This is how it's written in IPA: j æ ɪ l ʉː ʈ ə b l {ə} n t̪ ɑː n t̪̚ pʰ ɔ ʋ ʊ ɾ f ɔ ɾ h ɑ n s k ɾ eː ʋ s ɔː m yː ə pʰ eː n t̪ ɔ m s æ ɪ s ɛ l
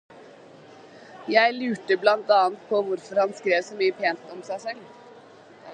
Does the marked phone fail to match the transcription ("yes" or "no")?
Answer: yes